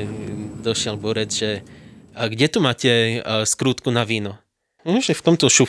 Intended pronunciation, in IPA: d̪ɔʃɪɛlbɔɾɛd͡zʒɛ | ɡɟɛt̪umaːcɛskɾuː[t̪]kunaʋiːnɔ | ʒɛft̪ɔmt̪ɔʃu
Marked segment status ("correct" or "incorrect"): correct